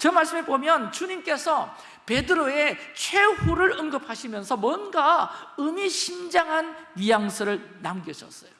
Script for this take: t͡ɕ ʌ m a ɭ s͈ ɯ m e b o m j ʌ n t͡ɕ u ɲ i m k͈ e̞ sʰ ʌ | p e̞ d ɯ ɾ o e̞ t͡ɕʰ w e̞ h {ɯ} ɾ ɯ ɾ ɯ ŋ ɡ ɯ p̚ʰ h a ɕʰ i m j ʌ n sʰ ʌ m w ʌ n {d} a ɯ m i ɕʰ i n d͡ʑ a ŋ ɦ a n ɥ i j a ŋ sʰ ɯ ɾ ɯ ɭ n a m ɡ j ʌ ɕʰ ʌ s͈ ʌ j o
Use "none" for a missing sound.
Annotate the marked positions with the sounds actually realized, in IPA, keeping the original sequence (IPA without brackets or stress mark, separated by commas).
u, ɡ